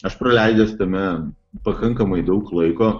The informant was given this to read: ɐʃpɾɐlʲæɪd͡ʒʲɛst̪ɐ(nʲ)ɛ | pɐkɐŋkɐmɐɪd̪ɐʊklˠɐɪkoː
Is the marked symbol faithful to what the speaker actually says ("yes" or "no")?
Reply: no